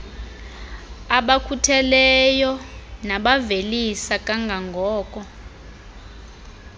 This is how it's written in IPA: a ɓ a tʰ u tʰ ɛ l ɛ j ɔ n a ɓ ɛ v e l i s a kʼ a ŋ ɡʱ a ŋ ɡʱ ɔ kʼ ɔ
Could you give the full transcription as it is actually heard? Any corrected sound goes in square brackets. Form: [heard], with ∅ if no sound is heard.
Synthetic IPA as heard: a ɓ a [kʰ] u tʰ ɛ l ɛ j ɔ n a ɓ [a] v e l i s a kʼ a ŋ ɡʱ a ŋ ɡʱ [ɔː] kʼ ɔ